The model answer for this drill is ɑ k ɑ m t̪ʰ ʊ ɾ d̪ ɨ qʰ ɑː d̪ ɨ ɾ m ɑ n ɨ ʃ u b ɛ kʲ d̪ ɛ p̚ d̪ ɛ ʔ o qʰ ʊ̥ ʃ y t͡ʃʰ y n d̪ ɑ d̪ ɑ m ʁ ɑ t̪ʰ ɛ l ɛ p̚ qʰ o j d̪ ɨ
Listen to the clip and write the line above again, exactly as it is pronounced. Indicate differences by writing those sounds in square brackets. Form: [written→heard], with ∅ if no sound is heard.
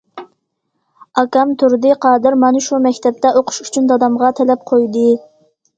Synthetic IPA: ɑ k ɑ m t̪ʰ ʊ ɾ d̪ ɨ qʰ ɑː d̪ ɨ ɾ m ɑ n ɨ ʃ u [b→m] ɛ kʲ [d̪→t̪] ɛ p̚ [d̪→t̪] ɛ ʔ o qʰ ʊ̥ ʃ y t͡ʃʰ y n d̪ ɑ d̪ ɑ m ʁ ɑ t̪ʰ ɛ l ɛ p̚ qʰ o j d̪ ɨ